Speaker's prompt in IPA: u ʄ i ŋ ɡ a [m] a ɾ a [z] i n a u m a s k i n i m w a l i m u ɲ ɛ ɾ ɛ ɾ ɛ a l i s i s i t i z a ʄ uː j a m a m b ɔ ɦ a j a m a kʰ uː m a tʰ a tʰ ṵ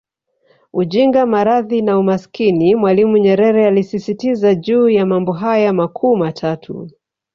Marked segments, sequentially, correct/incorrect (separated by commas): correct, incorrect